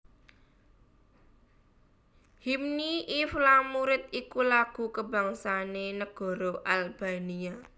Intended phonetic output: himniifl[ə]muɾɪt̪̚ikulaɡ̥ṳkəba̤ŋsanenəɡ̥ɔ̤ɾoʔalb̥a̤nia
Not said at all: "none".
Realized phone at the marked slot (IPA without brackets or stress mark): a